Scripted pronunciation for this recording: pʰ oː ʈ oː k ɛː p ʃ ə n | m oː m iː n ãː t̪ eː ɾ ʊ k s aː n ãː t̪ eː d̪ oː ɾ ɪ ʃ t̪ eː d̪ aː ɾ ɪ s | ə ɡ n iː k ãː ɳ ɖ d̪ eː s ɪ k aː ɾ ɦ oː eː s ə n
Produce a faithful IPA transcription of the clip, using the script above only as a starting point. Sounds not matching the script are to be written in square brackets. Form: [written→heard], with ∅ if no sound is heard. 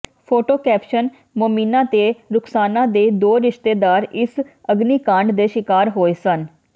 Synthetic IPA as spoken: pʰ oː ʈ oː k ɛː p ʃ ə n | m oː m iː n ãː t̪ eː ɾ ʊ k s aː n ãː [t̪→d̪] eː d̪ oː ɾ ɪ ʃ t̪ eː d̪ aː ɾ ɪ s | ə ɡ n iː k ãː ɳ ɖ d̪ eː [s→ʃ] ɪ k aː ɾ ɦ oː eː s ə n